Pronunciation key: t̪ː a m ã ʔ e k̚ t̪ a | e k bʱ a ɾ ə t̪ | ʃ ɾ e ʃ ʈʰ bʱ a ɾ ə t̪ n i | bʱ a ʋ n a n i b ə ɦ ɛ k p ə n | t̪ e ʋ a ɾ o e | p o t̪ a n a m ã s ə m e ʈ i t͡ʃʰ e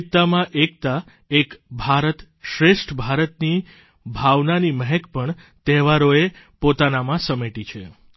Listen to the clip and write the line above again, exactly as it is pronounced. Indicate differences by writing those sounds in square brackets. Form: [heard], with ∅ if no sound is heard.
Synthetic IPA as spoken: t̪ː a m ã ʔ e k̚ t̪ a | e k bʱ a ɾ ə t̪ | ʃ ɾ e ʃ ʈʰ bʱ a ɾ ə t̪ n i | bʱ a ʋ n a n i [m] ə ɦ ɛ k p ə [ɳ] | t̪ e ʋ a ɾ o e | p o t̪ a n a m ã s ə m e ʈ i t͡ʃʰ e